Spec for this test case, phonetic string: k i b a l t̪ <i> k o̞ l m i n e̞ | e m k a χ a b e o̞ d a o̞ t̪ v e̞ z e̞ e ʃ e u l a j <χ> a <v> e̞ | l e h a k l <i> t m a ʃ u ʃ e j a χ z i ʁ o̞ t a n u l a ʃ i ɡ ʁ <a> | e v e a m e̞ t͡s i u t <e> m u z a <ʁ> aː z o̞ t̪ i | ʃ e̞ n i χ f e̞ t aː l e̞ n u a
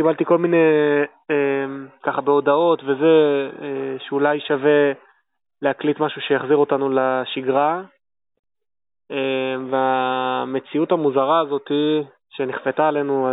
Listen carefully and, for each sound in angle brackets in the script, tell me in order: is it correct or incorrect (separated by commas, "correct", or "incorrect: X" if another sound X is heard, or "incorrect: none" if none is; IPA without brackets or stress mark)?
correct, incorrect: ʃ, correct, correct, correct, incorrect: a, correct